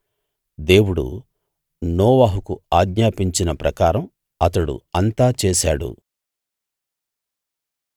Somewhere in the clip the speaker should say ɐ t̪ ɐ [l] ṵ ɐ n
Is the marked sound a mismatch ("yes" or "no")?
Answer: yes